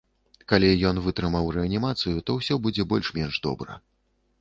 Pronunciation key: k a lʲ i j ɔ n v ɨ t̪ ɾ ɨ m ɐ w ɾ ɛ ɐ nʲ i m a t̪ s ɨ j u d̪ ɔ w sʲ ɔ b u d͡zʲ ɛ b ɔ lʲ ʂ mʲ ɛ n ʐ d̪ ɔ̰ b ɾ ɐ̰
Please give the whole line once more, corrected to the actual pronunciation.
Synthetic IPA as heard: k a lʲ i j ɔ n v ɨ t̪ ɾ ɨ m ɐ w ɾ ɛ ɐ nʲ i m a t̪ s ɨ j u t̪ ɔ w sʲ ɔ b u d͡zʲ ɛ b ɔ lʲ ʂ mʲ ɛ n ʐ d̪ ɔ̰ b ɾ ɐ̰